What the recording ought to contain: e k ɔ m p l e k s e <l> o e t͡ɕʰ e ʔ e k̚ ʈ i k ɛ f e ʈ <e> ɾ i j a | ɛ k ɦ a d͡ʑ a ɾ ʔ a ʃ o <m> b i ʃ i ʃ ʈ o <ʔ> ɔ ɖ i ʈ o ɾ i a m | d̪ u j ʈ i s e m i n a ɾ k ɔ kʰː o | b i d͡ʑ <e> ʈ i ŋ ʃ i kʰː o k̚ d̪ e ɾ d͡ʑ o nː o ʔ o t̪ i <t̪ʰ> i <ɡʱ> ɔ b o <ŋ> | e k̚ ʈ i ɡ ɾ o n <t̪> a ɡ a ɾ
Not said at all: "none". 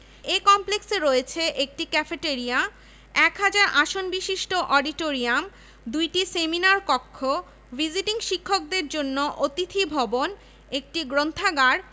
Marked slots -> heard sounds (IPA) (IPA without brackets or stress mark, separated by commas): ɾ, e, n, ʔ, i, t̪ʰ, bʱ, n, t̪ʰ